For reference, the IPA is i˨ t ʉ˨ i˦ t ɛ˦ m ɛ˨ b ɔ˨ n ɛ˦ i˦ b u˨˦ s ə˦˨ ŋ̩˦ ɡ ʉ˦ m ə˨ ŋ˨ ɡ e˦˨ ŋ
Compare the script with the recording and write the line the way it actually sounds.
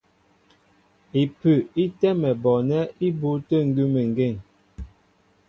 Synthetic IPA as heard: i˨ p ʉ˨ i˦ t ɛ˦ m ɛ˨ b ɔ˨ n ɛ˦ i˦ b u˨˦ t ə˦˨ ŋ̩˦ ɡ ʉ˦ m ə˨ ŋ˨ ɡ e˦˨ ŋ